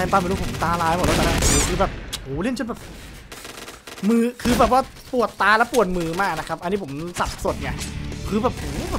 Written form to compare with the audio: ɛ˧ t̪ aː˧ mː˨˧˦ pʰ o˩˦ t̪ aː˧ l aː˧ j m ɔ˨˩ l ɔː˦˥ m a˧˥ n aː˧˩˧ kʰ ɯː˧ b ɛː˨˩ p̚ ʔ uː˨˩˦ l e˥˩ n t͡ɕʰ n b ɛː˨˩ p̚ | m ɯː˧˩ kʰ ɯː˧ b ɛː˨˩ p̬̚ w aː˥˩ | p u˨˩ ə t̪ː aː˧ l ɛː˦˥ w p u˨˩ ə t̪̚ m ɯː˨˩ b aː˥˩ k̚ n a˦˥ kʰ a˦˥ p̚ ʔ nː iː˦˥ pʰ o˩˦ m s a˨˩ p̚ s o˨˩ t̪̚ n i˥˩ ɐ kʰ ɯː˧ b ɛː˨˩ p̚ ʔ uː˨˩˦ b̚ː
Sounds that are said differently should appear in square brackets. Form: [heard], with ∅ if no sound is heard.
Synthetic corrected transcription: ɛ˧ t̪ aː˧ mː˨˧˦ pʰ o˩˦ t̪ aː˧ l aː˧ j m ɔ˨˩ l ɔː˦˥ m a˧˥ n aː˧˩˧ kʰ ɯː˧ b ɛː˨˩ p̚ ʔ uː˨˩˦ l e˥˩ n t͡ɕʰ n b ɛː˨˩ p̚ | m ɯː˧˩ kʰ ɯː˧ b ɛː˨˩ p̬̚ w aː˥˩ | p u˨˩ ə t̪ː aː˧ l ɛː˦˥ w p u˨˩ ə t̪̚ m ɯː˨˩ [m] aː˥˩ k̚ n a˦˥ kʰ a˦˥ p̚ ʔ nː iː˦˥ pʰ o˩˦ m s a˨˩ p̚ s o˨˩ t̪̚ n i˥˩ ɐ kʰ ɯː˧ b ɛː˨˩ p̚ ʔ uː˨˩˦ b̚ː